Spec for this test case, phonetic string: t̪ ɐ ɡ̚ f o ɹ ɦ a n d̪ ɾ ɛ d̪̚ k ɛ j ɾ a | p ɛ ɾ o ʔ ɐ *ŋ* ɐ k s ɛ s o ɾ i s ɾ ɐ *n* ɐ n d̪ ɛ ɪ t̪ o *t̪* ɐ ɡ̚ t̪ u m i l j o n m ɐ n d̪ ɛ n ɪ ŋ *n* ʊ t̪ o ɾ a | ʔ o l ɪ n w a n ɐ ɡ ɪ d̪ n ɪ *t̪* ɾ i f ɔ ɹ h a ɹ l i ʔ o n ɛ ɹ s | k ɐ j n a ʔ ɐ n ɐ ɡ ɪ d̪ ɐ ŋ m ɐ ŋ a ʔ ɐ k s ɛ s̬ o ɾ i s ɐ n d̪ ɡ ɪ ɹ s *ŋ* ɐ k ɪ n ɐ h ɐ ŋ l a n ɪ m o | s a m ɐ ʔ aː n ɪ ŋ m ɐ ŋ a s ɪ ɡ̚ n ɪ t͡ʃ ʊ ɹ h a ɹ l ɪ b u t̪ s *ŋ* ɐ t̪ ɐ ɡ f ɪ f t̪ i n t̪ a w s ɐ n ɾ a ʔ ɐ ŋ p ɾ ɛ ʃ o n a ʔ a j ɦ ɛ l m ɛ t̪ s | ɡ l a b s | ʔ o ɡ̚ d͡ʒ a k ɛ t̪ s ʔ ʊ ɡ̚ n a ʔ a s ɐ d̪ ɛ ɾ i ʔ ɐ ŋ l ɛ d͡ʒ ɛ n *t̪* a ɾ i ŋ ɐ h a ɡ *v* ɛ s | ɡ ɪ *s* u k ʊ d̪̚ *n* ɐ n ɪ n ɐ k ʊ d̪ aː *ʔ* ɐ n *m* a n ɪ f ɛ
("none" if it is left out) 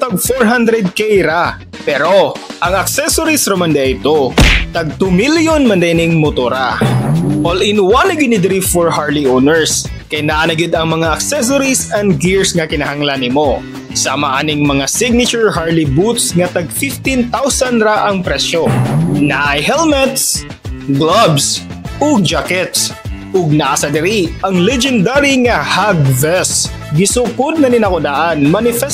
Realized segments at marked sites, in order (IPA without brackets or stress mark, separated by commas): ŋ, m, t̪, m, d̪, ŋ, ŋ, d̪, v, s, n, ʔ, m